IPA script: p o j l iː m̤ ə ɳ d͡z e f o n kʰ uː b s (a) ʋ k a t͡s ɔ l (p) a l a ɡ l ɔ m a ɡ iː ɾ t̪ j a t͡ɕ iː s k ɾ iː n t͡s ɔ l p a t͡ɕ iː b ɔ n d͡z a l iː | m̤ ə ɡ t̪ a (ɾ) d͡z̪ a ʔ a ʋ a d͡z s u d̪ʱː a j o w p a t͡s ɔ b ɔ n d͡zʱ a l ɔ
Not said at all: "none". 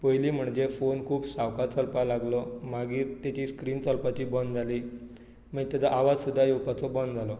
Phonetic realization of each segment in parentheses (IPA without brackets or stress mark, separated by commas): a, p, none